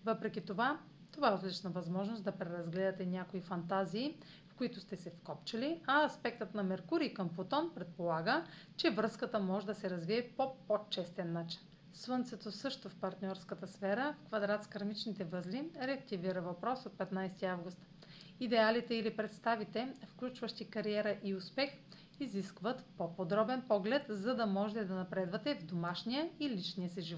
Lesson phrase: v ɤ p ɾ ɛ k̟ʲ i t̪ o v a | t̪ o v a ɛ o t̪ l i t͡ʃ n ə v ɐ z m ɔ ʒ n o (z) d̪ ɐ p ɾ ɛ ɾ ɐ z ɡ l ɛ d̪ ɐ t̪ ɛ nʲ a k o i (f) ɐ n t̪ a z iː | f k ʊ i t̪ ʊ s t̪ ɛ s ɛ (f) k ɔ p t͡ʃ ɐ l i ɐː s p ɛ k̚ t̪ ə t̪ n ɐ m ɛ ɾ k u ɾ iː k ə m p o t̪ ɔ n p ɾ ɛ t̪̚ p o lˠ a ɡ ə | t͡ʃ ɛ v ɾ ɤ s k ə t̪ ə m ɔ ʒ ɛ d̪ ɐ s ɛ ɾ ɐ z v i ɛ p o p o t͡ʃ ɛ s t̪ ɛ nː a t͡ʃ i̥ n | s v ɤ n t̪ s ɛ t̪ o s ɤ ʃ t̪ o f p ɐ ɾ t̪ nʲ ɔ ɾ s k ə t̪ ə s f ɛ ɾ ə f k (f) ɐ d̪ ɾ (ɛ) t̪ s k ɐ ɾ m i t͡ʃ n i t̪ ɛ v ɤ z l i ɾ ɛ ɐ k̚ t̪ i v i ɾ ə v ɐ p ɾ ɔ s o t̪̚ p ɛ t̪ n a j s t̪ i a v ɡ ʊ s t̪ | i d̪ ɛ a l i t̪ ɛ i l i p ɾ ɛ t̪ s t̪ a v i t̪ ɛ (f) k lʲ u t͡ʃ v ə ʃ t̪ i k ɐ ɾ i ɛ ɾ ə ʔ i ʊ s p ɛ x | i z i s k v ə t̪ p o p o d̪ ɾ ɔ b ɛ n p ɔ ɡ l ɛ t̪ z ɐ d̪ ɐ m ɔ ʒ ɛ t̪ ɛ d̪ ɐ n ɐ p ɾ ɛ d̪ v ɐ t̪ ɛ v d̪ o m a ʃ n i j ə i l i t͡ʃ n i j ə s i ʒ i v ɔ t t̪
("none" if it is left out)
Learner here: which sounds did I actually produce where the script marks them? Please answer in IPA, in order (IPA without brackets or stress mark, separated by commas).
s, f, f, v, a, f